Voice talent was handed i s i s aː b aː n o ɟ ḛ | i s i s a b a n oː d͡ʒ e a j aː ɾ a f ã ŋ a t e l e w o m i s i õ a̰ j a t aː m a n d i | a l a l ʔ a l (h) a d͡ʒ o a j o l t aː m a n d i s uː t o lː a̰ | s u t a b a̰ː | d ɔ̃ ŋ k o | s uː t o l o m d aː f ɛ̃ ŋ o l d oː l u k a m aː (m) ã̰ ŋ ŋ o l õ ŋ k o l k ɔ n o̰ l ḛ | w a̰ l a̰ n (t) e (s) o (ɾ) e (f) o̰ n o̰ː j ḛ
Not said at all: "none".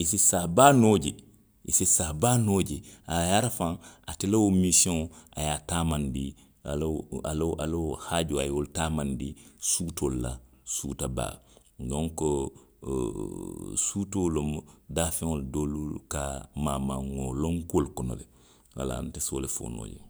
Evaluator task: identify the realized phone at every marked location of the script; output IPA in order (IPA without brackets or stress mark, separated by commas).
h, m, t, s, l, f